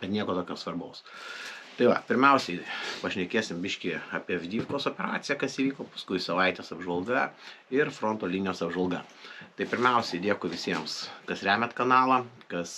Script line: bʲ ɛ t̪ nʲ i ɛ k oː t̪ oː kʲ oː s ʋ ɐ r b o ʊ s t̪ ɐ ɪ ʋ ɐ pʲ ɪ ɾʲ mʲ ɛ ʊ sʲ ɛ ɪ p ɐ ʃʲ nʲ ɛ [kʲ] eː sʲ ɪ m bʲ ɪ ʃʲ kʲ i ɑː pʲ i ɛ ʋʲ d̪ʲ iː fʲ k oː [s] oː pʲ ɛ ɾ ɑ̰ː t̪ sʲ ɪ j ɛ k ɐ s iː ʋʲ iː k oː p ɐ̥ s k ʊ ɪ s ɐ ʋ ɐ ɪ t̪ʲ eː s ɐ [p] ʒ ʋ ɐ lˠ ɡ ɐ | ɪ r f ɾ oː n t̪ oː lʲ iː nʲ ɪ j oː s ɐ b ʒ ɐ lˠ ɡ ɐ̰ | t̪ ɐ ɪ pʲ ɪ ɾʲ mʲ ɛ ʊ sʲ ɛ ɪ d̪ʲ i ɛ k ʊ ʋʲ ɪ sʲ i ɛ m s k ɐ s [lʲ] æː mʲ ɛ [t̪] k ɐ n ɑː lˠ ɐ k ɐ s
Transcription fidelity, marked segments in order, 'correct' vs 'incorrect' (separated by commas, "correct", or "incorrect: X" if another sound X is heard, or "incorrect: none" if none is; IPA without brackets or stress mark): correct, correct, incorrect: b, incorrect: ɾʲ, correct